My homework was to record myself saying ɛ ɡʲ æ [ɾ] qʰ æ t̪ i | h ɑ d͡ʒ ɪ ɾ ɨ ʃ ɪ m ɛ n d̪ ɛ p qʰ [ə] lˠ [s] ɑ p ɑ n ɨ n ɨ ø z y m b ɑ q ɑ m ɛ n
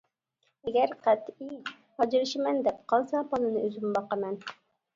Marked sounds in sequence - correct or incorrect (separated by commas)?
correct, incorrect, correct